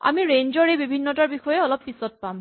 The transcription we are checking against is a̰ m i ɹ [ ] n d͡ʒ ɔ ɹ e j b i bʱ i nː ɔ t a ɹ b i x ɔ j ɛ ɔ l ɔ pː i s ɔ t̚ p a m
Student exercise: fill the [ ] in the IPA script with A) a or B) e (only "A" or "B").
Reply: B